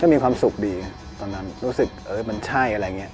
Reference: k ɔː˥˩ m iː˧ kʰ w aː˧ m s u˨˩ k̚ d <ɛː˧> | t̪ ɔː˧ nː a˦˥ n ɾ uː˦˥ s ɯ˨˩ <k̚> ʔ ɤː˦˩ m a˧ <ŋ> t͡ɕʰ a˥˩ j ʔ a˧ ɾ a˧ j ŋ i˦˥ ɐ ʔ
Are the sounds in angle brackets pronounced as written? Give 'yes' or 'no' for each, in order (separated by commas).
no, yes, no